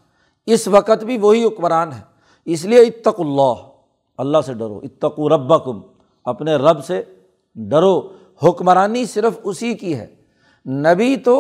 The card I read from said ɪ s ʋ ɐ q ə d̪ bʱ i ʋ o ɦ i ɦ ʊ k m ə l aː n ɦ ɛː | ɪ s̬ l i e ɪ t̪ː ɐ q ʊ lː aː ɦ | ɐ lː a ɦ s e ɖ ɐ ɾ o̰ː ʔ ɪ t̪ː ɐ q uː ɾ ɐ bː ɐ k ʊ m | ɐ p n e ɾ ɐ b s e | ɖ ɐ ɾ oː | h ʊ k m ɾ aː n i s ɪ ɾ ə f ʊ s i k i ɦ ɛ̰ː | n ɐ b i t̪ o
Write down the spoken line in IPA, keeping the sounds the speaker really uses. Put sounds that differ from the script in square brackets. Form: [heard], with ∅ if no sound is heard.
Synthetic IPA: ɪ s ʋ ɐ q ə [t̪] bʱ i ʋ o ɦ i ɦ ʊ k m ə [ɾ] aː n ɦ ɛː | ɪ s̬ l i e ɪ t̪ː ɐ q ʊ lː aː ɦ | ɐ lː a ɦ s e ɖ ɐ ɾ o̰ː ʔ ɪ t̪ː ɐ q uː ɾ ɐ bː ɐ k ʊ m | ɐ p n e ɾ ɐ b s e | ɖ ɐ ɾ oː | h ʊ k m ɾ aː n i s ɪ ɾ ə f ʊ s i k i ɦ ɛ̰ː | n ɐ b i t̪ o